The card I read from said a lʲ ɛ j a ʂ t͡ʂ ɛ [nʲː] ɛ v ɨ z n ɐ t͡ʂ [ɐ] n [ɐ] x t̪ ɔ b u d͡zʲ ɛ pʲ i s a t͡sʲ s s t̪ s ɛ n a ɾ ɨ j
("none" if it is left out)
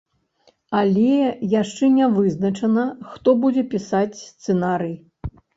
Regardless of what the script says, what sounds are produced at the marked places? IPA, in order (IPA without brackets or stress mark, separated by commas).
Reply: nʲ, ɐ, ɐ